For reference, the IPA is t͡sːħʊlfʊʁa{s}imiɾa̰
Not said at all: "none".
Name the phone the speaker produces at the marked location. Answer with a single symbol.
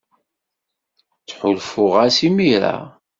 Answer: s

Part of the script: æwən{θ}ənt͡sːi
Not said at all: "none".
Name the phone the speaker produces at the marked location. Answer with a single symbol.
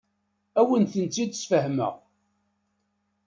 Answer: θ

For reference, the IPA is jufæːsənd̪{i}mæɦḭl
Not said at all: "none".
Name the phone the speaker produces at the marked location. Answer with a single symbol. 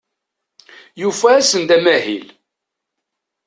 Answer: æ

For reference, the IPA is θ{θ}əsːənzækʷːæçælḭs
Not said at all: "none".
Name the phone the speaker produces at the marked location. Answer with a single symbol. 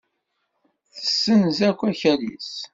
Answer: θ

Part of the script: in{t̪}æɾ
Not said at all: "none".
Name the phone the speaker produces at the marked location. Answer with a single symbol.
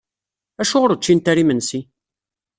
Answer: t̪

